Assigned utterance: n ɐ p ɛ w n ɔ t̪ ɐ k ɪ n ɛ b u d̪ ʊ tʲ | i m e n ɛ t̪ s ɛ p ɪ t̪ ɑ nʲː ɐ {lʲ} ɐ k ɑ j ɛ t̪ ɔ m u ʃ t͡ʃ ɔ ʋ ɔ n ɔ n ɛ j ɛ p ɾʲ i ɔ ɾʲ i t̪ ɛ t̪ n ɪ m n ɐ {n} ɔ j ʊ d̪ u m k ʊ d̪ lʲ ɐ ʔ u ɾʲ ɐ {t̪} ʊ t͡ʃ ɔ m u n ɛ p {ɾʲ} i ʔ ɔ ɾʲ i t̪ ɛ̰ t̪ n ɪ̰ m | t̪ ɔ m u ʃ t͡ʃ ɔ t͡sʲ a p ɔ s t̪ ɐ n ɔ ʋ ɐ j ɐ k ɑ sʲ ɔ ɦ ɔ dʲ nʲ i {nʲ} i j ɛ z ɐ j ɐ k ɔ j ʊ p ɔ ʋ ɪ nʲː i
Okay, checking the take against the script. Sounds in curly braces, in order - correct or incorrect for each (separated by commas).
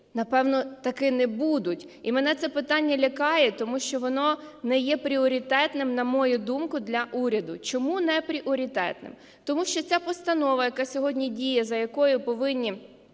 correct, incorrect, incorrect, correct, incorrect